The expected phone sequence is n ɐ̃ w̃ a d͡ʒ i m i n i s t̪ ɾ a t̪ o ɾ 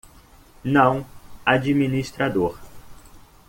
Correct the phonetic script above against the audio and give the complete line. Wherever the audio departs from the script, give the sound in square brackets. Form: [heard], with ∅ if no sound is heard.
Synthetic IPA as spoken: n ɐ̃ w̃ a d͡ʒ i m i n i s t̪ ɾ a [d̪] o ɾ